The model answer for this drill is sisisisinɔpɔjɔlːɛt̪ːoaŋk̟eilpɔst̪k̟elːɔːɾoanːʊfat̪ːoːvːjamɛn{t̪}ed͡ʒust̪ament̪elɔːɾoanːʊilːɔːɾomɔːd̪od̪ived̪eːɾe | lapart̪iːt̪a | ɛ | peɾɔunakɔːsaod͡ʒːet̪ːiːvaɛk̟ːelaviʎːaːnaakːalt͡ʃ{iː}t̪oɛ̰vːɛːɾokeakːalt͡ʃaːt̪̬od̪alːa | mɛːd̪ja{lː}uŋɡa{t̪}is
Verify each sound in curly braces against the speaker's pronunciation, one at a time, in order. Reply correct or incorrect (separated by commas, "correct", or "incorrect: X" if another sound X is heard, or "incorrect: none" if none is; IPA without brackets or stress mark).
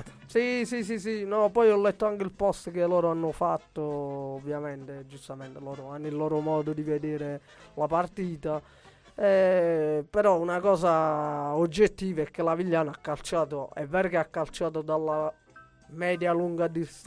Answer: correct, incorrect: aː, incorrect: l, incorrect: d̪